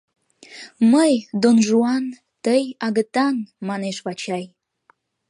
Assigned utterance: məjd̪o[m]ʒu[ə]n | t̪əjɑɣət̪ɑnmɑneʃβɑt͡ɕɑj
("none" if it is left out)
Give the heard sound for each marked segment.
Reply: n, ɑ

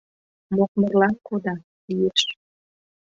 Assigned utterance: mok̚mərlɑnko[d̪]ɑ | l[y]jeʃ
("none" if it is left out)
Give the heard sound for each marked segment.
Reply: d̪, i

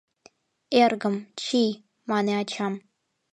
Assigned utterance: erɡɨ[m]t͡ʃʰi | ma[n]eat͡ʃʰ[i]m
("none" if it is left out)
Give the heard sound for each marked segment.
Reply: m, n, a

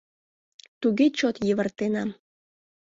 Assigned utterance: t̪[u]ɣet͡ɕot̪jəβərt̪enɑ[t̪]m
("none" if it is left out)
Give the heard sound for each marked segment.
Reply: u, none

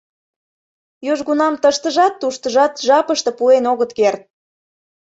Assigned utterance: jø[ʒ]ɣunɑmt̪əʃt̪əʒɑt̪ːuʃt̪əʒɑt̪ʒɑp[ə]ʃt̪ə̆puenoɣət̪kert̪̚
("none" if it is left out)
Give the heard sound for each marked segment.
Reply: ʒ, ə

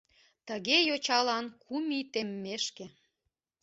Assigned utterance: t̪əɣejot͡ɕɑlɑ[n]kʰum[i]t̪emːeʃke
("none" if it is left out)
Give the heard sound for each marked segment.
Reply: n, i

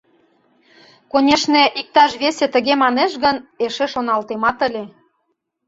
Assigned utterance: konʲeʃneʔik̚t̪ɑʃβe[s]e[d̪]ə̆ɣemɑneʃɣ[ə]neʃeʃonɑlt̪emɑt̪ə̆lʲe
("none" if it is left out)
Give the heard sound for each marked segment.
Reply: s, t̪, ə

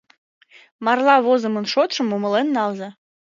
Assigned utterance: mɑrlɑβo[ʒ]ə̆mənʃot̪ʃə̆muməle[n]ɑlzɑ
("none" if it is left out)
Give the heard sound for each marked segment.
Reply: z, nː

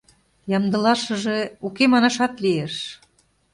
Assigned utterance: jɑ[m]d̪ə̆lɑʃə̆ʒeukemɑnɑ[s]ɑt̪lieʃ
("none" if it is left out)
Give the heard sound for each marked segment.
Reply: m, ʃ

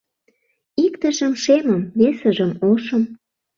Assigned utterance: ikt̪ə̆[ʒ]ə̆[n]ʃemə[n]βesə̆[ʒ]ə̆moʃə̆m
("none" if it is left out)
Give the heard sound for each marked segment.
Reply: ʒ, m, m, ʒ

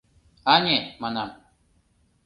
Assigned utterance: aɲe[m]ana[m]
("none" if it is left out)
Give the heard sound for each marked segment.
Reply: m, m

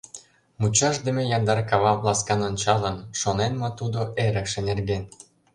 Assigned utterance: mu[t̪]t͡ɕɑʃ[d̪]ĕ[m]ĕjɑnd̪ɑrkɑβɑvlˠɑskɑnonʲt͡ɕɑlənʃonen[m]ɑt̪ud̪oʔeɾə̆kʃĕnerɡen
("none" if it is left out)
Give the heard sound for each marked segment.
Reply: none, d̪, m, m

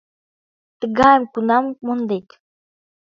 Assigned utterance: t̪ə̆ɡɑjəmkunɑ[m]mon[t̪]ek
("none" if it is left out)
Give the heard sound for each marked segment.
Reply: m, d̪

